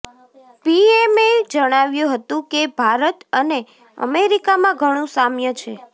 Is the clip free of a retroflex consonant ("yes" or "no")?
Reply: no